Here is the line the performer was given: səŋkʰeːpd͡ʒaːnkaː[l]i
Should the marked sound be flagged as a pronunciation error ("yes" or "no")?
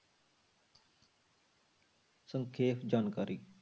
yes